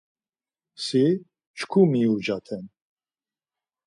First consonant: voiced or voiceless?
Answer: voiceless